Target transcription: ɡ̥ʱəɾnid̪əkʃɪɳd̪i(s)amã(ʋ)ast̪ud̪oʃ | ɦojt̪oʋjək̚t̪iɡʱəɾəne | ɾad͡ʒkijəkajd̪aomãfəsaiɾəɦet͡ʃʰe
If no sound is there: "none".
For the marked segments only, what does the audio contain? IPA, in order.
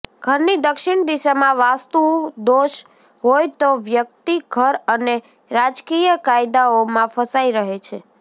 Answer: ʃ, ʋ

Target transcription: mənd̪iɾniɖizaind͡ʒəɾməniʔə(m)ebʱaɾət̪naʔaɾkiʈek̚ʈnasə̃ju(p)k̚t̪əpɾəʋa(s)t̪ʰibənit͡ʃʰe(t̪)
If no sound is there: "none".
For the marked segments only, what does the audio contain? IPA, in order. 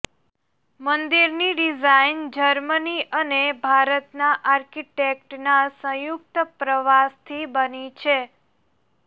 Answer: n, none, s, none

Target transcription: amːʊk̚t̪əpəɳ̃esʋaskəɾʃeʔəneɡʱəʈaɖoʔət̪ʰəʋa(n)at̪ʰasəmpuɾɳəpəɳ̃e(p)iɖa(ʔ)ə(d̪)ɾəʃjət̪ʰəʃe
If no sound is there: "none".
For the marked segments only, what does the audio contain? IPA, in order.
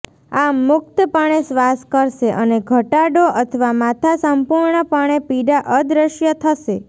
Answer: m, p, ʔ, d̪

